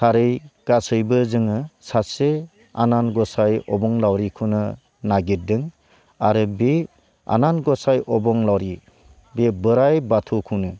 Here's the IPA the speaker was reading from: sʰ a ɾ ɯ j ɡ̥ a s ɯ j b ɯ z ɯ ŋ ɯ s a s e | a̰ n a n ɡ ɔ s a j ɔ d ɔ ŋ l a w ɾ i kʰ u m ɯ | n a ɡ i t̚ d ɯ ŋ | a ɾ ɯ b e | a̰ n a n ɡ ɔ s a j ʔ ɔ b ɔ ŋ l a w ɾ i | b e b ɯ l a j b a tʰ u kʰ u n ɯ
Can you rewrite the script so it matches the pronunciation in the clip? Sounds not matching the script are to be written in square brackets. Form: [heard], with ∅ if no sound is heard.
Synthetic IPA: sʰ a ɾ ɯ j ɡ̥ a s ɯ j b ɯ z ɯ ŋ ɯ s a s e | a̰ n a n ɡ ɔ s a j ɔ [b] ɔ ŋ l a w ɾ i kʰ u [n] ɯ | n a ɡ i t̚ d ɯ ŋ | a ɾ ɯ b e | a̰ n a n ɡ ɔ s a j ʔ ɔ b ɔ ŋ l a w ɾ i | b e b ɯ [ɾ] a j b a tʰ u kʰ u n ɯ

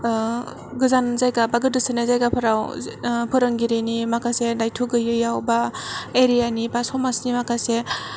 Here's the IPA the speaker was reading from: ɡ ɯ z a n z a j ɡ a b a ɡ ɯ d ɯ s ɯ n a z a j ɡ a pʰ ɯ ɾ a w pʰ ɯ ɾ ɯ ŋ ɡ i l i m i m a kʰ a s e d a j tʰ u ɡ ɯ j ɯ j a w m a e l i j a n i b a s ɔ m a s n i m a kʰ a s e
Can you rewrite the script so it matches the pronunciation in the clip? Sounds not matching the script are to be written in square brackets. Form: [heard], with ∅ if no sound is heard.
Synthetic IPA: ɡ ɯ z a n z a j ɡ a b a ɡ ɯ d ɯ s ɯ n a z a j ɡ a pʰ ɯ ɾ a w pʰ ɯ ɾ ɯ ŋ ɡ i [ɾ] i [n] i m a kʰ a s e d a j tʰ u ɡ ɯ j ɯ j a w [b] a e [ɾ] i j a n i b a s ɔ m a s n i m a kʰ a s e

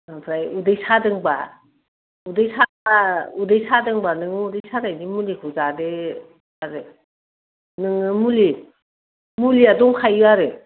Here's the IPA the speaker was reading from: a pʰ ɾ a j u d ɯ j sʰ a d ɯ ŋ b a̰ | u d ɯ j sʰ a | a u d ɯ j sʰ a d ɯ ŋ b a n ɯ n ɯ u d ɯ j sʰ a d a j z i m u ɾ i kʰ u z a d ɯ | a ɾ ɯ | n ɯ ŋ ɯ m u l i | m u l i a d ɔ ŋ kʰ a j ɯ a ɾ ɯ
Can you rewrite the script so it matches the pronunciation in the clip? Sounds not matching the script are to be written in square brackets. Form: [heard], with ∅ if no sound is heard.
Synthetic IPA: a pʰ ɾ a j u d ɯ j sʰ a d ɯ ŋ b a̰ | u d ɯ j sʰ a | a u d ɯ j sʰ a d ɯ ŋ b a n ɯ [ŋ] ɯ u d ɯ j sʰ a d a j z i m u [l] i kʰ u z a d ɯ | a ɾ ɯ | n ɯ ŋ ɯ m u l i | m u l i a d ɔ ŋ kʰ a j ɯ a ɾ ɯ

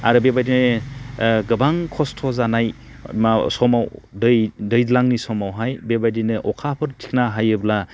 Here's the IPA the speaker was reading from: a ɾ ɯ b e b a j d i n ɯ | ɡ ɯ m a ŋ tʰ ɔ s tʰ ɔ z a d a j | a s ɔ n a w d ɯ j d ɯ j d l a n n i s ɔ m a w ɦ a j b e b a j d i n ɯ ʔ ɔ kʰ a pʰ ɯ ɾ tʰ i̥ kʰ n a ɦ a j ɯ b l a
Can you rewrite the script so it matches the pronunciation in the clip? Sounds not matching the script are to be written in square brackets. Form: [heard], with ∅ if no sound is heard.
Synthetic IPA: a ɾ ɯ b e b a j d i n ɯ | ɡ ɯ [b] a ŋ [kʰ] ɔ s tʰ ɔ z a [n] a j | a s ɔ [m] a w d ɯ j d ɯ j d l a [ŋ] n i s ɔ m a w ɦ a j b e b a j d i n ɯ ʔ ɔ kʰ a pʰ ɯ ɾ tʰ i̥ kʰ n a ɦ a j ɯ b l a

